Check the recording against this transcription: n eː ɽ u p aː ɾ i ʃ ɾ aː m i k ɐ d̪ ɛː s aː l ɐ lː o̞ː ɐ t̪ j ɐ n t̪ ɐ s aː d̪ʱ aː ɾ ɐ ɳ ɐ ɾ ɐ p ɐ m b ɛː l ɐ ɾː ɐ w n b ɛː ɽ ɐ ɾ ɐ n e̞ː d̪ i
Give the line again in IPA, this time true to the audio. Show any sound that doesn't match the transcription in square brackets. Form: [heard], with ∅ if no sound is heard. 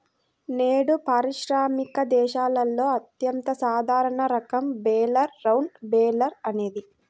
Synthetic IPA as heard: n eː ɽ u p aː ɾ i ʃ ɾ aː m i k ɐ d̪ ɛː [ʃ] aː l ɐ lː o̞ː ɐ t̪ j ɐ n t̪ ɐ s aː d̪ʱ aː ɾ ɐ ɳ ɐ ɾ ɐ [k] ɐ m b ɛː l ɐ ɾː ɐ w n b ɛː [l] ɐ ɾ ɐ n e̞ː d̪ i